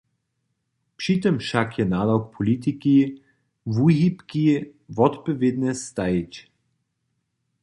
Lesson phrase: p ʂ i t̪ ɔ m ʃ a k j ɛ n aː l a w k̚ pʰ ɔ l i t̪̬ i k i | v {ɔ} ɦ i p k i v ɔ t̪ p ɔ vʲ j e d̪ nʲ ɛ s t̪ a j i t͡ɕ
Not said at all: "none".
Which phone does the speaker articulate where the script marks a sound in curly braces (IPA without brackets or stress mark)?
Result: u